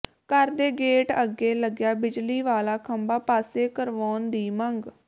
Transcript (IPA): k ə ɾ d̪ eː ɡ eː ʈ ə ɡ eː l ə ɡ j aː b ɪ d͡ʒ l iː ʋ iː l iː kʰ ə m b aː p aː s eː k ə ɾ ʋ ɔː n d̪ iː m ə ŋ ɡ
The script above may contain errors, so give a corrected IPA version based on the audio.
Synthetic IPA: k ə ɾ d̪ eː ɡ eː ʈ ə ɡ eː l ə ɡ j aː b ɪ d͡ʒ l iː ʋ aː l aː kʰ ə m b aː p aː s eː k ə ɾ ʋ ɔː n d̪ iː m ə ŋ ɡ